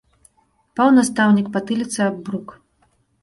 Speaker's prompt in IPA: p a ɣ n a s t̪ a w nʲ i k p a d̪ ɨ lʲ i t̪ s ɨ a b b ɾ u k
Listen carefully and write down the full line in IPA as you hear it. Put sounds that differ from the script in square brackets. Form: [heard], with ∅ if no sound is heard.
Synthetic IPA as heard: p a [w] n a s t̪ a w nʲ i k p a [t̪] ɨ lʲ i t̪ s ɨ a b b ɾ u k